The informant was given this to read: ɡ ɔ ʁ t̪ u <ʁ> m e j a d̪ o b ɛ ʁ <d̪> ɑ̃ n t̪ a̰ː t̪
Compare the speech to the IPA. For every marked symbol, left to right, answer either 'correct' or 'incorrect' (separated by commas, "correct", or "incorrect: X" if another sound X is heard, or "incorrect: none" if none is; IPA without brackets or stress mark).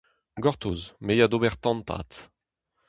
incorrect: z, incorrect: t̪